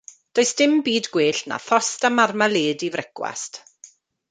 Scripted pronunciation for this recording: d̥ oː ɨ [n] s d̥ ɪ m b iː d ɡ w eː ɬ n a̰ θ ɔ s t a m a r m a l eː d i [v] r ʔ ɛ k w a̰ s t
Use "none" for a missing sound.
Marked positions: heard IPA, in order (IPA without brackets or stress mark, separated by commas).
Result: none, v